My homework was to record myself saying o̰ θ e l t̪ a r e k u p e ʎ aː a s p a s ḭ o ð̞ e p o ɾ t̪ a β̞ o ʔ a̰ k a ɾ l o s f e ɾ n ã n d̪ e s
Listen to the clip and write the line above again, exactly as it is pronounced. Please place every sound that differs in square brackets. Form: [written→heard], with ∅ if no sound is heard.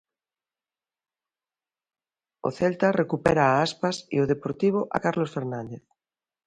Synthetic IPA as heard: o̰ θ e l t̪ a r e k u p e [ʎ→ɾ] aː a s p a s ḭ o ð̞ e p o ɾ t̪ [a→i] β̞ o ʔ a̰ k a ɾ l o s f e ɾ n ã n d̪ e [s→θ]